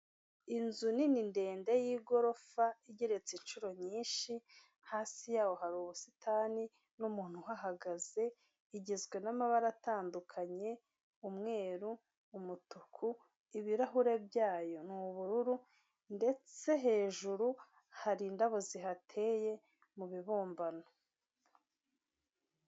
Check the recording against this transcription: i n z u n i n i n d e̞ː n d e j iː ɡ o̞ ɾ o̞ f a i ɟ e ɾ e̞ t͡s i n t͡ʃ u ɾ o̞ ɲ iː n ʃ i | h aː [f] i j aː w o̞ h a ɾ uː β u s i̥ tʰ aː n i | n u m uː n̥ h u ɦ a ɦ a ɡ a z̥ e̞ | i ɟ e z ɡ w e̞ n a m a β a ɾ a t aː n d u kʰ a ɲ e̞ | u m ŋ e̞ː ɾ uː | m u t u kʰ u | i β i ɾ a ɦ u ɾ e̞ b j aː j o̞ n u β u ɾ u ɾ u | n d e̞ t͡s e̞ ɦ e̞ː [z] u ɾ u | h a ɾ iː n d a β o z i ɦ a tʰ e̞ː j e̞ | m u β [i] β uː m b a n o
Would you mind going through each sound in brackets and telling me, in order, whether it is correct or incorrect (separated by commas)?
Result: incorrect, incorrect, correct